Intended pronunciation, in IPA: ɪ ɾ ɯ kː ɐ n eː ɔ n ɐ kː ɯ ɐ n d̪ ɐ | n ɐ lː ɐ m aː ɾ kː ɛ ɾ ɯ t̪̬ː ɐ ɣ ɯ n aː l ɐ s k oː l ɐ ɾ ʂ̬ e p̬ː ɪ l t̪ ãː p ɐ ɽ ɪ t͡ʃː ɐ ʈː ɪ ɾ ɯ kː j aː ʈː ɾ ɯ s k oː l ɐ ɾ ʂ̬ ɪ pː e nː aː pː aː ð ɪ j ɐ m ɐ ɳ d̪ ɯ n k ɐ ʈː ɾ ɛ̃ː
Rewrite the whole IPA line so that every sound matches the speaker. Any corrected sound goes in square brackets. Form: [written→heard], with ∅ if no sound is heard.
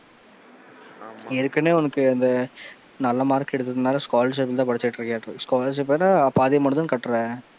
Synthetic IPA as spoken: ɪ ɾ ɯ kː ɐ n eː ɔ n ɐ kː ɯ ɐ n d̪ ɐ | n ɐ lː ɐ m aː ɾ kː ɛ [ɾ→ɽ] ɯ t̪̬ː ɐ [ɣ→ð] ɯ n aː l ɐ s k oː l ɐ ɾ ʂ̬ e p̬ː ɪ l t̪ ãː p ɐ ɽ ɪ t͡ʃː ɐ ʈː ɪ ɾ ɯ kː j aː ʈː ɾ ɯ s k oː l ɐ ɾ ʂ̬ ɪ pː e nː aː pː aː ð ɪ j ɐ m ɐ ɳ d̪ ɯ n k ɐ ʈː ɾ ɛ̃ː